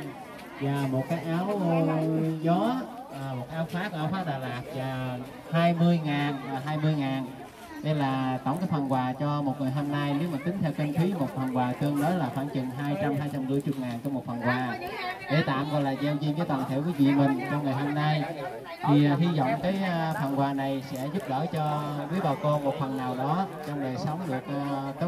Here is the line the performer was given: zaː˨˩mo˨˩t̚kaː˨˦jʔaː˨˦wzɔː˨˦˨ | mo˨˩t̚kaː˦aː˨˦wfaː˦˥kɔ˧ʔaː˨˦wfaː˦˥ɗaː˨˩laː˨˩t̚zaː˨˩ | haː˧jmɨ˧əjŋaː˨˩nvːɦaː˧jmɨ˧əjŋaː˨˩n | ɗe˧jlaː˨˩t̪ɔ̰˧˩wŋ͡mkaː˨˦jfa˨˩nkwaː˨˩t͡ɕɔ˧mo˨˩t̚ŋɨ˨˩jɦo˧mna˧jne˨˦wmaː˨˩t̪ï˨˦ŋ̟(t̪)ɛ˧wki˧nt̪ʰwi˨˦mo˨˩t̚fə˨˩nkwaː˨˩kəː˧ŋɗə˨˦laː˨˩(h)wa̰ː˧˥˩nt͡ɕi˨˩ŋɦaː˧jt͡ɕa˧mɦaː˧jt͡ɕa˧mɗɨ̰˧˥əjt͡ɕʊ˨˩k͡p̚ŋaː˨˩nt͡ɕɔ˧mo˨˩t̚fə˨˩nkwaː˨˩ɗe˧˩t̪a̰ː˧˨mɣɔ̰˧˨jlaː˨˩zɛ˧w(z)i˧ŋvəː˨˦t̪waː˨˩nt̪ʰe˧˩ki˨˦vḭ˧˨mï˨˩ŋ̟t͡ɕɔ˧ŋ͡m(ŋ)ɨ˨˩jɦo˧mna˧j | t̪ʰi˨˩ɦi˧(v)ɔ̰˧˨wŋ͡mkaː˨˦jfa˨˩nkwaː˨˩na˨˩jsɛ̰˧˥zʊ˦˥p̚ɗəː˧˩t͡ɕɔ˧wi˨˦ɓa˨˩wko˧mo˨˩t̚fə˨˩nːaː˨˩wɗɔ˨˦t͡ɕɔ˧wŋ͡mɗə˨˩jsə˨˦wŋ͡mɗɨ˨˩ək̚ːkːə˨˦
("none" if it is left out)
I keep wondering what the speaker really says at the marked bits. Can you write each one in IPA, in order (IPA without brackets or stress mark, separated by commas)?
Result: t̪ʰ, x, z, ŋ, z